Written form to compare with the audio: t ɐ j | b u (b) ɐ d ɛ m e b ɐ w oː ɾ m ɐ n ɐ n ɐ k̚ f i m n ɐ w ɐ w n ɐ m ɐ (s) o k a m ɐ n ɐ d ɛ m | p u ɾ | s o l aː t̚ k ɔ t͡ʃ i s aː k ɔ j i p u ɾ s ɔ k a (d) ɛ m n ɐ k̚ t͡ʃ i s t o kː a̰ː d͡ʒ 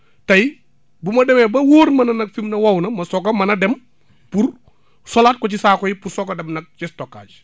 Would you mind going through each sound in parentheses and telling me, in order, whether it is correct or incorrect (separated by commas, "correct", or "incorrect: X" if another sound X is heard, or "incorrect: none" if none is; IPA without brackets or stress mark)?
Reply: incorrect: m, correct, correct